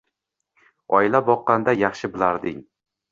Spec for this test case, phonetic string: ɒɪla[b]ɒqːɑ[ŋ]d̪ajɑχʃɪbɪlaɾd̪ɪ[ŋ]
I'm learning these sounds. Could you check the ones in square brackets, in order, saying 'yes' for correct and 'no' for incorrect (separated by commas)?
yes, no, yes